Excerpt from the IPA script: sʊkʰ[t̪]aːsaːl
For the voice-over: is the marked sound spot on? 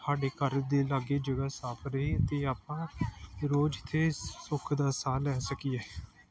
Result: no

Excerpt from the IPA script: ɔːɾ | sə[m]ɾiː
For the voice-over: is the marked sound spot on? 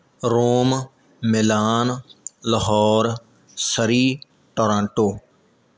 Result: no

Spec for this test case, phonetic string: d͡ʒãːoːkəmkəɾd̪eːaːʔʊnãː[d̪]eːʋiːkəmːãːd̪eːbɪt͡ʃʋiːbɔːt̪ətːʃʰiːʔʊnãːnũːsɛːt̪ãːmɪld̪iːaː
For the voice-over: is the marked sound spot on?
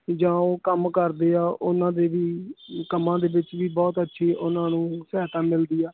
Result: yes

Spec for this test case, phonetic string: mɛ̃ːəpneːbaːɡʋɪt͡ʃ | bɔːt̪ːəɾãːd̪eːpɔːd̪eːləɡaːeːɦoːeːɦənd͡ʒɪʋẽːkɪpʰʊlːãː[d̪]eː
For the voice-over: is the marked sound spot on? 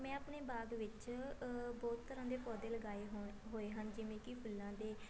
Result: yes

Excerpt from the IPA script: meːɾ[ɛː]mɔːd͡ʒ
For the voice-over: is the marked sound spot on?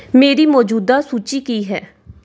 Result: no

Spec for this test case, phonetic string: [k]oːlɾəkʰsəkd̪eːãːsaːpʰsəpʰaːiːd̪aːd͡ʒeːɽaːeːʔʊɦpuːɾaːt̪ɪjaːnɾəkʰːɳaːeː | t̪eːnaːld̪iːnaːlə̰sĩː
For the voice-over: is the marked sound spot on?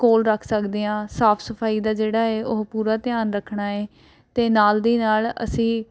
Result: yes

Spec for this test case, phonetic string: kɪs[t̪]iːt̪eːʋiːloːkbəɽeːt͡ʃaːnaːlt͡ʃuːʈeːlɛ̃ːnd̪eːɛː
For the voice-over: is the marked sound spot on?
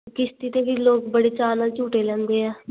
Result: yes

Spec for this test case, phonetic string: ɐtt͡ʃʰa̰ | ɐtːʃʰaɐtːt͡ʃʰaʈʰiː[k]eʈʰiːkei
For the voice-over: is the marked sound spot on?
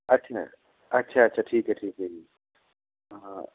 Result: yes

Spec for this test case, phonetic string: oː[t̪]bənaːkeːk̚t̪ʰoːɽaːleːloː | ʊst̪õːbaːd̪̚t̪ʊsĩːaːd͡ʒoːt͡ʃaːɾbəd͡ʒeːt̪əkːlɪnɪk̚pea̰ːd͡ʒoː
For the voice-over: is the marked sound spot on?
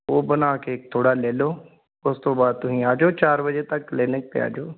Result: no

